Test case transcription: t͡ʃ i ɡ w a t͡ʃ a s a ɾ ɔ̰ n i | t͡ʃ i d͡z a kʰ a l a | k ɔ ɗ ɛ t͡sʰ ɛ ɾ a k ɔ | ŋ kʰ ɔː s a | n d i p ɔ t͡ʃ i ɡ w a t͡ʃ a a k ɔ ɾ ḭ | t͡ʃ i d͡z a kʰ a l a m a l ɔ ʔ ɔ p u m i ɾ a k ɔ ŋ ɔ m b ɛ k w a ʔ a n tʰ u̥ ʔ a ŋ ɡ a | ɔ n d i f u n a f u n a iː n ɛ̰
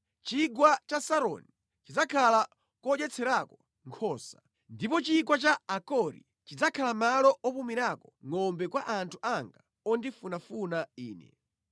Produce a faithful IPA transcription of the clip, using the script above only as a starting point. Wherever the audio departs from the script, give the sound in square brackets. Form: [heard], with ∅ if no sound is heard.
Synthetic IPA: t͡ʃ i ɡ w a t͡ʃ a s a ɾ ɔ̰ n i | t͡ʃ i d͡z a kʰ a l a | k ɔ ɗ ɛ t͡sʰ ɛ ɾ a k ɔ | ŋ kʰ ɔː s a | n d i p ɔ t͡ʃ i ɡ w a t͡ʃ a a k ɔ ɾ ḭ | t͡ʃ i d͡z a kʰ a l a m a l ɔ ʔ ɔ p u m i ɾ a k ɔ ŋ ɔ m b ɛ k w a ʔ a n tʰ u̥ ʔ a ŋ ɡ a | ɔ n d i f u n a f u n a iː n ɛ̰